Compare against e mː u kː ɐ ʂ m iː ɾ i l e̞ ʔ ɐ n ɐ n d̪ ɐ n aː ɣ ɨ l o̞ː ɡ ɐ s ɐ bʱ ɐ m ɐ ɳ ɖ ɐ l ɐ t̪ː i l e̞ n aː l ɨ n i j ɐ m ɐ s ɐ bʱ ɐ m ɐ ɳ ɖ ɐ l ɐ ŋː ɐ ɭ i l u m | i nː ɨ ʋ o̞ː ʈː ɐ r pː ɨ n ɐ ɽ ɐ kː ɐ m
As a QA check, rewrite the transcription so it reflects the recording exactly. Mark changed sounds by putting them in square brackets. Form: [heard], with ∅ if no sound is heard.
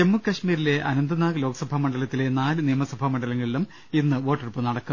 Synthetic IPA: e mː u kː ɐ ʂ m iː ɾ i l e̞ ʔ ɐ n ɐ n d̪ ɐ n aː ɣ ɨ l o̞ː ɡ ɐ s ɐ bʱ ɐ m ɐ ɳ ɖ ɐ l ɐ t̪ː i l e̞ n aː l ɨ n i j ɐ m ɐ s ɐ bʱ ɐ m ɐ ɳ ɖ ɐ l ɐ ŋː ɐ ɭ i l u m | i nː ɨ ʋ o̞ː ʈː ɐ r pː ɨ n ɐ ɽ ɐ kː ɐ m